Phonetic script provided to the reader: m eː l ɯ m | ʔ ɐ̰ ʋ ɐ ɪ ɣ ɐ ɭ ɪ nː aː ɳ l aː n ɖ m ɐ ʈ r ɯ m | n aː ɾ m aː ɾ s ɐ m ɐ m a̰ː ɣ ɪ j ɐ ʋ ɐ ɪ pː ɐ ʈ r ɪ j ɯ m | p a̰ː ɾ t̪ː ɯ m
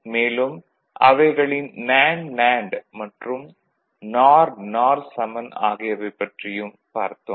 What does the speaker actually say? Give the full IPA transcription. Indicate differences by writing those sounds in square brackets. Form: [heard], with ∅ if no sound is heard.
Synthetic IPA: m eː l ɯ m | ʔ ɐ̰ ʋ ɐ ɪ ɣ ɐ ɭ ɪ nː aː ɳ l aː [ɳ] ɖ m ɐ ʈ r ɯ m | n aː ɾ [n] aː ɾ s ɐ m ɐ [n] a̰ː ɣ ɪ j ɐ ʋ ɐ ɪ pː ɐ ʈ r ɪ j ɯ m | p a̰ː ɾ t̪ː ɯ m

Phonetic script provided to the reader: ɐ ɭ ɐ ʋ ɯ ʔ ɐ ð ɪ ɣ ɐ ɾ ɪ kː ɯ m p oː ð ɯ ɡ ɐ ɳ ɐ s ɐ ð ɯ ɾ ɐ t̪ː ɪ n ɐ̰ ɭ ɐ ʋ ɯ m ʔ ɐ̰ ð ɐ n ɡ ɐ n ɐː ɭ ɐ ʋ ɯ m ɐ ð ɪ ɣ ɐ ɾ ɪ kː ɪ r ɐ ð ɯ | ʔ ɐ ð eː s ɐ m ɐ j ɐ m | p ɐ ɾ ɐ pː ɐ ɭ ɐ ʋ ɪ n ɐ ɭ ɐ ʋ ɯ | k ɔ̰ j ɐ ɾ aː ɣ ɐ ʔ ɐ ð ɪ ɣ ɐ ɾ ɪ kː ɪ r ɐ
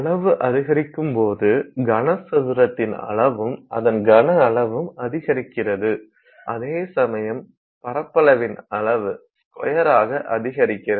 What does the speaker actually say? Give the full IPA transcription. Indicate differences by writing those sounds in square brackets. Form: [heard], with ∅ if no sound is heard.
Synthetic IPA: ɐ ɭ ɐ ʋ ɯ ʔ ɐ ð ɪ ɣ ɐ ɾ ɪ kː ɯ m p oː ð ɯ ɡ ɐ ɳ ɐ s ɐ ð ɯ ɾ ɐ t̪ː ɪ n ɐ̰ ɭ ɐ ʋ ɯ m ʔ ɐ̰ ð ɐ n ɡ ɐ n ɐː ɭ ɐ ʋ ɯ m ɐ ð ɪ ɣ ɐ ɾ ɪ kː ɪ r ɐ ð ɯ | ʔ ɐ ð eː s ɐ m ɐ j ɐ m | p ɐ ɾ ɐ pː ɐ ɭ ɐ ʋ ɪ n ɐ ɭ ɐ ʋ ɯ | k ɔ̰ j ɐ ɾ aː ɣ ɐ ʔ ɐ ð ɪ ɣ ɐ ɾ ɪ kː ɪ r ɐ

